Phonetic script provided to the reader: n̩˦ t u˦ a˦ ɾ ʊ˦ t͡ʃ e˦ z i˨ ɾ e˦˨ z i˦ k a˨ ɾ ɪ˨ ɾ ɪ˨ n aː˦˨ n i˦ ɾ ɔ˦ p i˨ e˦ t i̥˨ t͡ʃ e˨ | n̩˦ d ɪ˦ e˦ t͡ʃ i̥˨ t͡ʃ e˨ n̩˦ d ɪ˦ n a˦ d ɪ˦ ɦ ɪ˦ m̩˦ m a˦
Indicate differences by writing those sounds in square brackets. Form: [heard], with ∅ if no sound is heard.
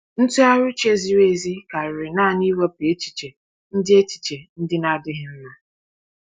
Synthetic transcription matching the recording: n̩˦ t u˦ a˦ ɾ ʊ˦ t͡ʃ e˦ z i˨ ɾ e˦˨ z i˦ k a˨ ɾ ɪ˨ ɾ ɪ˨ n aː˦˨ n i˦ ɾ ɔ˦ p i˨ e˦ [t͡ʃ] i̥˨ t͡ʃ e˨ | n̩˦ d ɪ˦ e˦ t͡ʃ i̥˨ t͡ʃ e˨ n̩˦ d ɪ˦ n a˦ d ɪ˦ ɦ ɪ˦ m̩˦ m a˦